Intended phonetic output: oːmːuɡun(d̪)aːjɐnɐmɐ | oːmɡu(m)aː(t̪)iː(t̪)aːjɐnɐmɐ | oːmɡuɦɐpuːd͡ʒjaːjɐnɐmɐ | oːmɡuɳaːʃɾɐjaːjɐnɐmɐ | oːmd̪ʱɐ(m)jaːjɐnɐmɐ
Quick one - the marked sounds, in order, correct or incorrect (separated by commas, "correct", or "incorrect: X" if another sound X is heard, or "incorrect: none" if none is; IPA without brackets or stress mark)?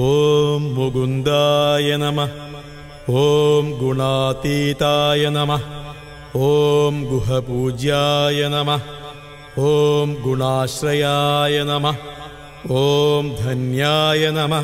correct, incorrect: ɳ, correct, correct, incorrect: n